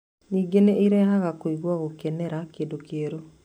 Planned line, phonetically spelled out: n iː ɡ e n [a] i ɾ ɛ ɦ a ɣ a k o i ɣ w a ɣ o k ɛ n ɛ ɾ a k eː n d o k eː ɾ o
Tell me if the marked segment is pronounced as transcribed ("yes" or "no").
no